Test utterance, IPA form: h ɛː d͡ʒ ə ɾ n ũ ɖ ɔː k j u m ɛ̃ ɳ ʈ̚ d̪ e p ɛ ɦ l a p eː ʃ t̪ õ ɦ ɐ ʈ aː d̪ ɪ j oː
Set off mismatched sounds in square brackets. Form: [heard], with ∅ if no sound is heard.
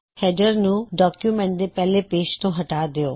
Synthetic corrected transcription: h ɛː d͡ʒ ə ɾ n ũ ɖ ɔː k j u m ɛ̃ ɳ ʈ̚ d̪ e p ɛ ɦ l [e] p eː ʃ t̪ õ ɦ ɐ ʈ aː d̪ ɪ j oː